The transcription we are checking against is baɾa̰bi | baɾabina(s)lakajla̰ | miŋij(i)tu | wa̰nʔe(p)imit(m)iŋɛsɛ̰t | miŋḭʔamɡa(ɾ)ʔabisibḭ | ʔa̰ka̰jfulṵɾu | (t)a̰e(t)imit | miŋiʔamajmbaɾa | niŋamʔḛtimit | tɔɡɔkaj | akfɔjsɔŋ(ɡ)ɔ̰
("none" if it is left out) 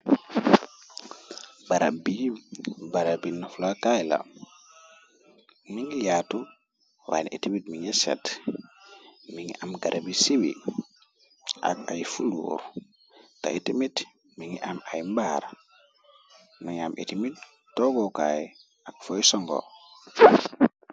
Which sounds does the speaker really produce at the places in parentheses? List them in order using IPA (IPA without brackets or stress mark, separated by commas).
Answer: f, a, t, m, ɾ, t, t, ɡ